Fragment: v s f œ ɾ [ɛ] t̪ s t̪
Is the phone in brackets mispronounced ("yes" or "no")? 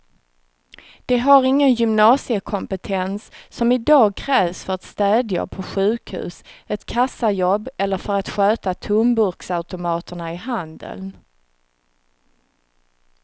yes